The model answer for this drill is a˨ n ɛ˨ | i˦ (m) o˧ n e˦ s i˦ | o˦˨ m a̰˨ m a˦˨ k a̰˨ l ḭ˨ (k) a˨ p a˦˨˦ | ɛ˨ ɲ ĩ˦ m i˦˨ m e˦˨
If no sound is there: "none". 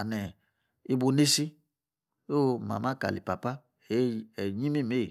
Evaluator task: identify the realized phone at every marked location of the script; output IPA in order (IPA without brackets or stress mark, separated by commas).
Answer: b, p